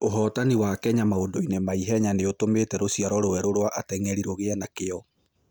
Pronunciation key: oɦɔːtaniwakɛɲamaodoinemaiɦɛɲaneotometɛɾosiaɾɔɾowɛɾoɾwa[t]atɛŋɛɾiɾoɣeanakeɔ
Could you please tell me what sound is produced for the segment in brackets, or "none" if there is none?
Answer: ʔ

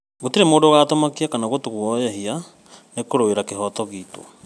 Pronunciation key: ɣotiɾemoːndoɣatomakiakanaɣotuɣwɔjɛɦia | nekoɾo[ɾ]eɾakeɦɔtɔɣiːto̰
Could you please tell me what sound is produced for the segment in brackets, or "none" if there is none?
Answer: none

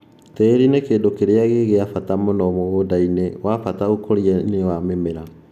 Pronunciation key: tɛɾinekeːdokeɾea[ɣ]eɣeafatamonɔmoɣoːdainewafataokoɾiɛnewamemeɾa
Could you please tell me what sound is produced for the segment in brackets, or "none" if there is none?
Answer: ɣ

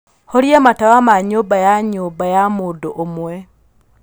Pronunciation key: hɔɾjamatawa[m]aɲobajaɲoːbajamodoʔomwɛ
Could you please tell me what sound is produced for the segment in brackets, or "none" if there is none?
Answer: m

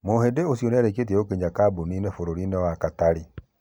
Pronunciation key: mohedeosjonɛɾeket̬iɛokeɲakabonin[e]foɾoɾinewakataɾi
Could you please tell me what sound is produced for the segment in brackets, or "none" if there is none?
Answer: e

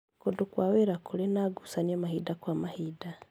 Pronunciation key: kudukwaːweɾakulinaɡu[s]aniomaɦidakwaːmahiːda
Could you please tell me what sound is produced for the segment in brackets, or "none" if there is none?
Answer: s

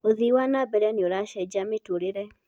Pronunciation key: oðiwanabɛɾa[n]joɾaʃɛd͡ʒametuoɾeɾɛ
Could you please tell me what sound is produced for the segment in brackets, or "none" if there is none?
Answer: n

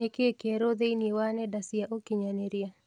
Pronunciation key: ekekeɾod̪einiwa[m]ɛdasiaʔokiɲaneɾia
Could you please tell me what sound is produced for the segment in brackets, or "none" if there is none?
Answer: n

